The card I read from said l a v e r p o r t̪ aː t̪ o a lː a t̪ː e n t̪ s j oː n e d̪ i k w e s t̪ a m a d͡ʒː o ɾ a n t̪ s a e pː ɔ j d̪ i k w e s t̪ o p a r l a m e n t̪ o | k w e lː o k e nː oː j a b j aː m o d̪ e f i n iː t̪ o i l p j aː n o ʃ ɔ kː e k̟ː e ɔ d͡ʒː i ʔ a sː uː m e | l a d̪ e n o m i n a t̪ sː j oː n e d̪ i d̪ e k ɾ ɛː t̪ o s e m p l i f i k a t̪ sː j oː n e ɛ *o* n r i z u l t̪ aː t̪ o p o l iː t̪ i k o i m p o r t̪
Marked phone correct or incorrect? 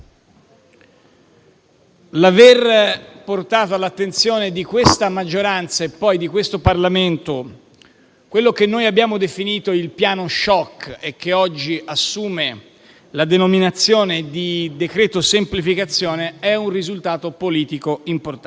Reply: incorrect